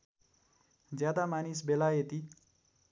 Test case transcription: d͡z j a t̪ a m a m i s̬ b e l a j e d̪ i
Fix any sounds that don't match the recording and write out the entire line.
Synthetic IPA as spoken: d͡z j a d̪ a m a n i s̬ b e l a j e t̪ i